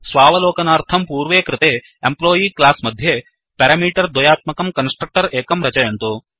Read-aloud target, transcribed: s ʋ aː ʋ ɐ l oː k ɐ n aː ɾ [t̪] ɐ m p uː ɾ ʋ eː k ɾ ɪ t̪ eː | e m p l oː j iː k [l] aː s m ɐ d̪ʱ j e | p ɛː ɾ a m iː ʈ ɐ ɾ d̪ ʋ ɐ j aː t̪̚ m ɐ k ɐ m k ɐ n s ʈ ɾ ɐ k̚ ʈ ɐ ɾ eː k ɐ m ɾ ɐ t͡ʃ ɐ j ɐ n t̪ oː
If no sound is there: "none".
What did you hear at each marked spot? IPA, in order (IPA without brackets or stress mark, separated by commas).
t̪ʰ, l